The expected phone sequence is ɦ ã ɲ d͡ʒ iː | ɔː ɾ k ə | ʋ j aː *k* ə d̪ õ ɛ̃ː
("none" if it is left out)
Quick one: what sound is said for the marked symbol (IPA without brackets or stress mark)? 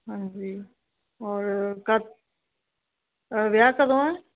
k